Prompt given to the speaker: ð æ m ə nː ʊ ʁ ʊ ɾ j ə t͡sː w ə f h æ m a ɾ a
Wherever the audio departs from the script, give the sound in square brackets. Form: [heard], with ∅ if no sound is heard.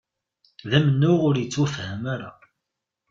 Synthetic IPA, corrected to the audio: ð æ m ə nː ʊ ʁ ʊ ɾ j ə t͡sː w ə f h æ m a ɾ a